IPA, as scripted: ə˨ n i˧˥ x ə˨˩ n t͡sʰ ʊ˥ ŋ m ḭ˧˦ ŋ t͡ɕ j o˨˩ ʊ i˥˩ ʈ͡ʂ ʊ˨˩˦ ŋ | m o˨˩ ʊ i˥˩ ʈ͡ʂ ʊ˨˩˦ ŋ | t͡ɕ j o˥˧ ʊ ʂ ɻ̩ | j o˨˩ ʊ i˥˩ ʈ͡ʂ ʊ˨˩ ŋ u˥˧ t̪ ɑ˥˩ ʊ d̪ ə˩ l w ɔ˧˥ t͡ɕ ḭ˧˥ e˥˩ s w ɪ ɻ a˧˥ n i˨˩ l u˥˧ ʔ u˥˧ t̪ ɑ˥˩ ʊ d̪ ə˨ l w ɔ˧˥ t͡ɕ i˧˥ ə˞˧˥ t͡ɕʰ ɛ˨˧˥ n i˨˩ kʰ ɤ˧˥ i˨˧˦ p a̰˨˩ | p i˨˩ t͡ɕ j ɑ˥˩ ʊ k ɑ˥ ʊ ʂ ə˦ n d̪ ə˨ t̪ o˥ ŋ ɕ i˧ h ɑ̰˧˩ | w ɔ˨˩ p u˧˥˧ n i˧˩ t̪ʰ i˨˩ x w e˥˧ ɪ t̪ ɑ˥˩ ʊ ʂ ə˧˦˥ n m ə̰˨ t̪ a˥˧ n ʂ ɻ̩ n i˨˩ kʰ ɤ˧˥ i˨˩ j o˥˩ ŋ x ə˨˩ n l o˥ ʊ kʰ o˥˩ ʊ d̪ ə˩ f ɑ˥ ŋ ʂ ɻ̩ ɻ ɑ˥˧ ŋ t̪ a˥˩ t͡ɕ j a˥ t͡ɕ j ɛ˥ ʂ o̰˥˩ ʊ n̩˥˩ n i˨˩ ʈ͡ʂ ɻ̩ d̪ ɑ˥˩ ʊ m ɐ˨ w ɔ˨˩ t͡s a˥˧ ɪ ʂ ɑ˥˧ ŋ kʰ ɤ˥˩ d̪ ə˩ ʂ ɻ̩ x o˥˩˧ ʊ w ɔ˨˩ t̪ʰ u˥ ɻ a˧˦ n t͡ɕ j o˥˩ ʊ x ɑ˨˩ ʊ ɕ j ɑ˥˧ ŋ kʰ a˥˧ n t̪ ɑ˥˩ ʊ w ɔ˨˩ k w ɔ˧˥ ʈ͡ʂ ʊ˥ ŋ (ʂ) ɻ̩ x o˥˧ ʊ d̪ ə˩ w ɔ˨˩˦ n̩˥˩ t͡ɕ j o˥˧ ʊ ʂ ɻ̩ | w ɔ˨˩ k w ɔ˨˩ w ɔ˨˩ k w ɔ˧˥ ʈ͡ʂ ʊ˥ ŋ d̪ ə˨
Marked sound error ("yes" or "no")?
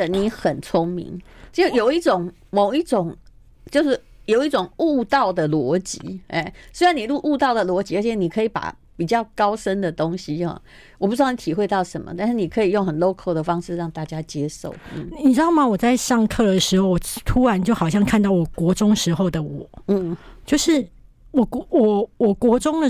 no